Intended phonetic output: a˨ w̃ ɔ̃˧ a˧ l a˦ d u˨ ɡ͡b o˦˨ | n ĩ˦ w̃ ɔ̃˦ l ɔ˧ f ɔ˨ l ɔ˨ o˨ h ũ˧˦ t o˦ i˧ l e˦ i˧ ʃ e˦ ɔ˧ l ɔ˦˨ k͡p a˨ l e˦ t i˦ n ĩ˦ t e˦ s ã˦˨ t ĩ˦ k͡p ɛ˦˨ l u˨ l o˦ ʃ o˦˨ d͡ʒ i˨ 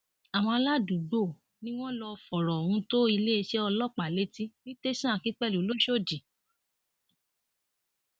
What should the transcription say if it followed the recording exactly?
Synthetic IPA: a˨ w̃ ɔ̃˧ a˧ l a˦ d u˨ ɡ͡b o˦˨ | n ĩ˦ w̃ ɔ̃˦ l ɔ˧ f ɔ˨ ɾ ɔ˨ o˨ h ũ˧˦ t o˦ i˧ l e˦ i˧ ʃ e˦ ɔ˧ l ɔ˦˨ k͡p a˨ l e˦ t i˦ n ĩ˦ t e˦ s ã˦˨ k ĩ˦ k͡p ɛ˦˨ l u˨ l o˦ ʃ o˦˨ d͡ʒ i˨